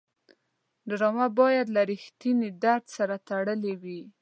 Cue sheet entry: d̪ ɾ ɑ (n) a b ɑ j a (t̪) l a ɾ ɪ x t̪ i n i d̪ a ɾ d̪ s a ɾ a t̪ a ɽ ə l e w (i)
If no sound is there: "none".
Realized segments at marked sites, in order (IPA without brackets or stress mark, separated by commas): m, d̪, i